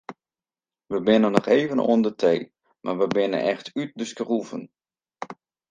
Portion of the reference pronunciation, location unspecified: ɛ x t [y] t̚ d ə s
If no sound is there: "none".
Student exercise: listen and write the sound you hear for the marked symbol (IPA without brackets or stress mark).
y